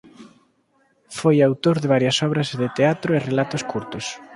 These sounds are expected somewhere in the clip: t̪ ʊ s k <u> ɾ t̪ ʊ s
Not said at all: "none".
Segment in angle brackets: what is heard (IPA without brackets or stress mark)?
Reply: u